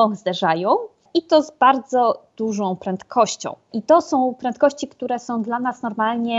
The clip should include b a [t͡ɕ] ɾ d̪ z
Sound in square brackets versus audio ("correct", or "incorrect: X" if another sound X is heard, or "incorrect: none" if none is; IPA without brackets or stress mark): incorrect: none